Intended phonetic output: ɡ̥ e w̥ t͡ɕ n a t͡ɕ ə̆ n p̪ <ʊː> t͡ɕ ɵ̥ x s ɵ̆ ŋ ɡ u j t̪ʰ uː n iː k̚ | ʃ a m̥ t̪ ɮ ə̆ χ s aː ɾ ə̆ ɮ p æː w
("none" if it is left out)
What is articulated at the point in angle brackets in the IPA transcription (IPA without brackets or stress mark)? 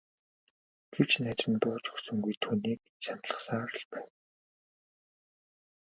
ʊː